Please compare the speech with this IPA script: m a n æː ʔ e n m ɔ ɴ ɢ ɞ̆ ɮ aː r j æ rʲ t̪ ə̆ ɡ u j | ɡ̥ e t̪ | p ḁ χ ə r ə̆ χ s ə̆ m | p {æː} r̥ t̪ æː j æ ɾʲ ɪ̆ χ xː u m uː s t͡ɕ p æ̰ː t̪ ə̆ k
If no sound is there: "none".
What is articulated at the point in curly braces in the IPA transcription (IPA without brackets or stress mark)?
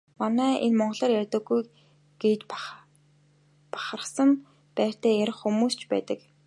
æː